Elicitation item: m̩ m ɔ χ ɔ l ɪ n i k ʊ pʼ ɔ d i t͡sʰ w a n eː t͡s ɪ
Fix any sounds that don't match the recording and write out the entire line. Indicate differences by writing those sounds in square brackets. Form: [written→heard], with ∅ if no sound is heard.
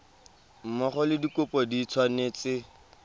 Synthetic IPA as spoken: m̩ m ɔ χ ɔ l ɪ [n→d] i k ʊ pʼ ɔ d i t͡sʰ w a n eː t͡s ɪ